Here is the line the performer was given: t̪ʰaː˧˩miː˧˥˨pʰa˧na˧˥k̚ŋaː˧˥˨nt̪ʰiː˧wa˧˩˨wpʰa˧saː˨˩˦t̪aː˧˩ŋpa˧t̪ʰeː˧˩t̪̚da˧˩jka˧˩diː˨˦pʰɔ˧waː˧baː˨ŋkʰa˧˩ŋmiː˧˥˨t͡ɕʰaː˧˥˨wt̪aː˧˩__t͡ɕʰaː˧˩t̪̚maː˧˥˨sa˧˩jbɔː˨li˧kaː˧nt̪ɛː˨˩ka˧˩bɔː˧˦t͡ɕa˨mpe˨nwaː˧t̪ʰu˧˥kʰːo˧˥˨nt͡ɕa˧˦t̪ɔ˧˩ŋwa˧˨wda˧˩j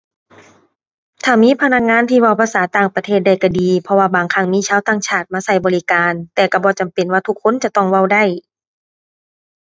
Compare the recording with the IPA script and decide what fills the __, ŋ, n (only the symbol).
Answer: ŋ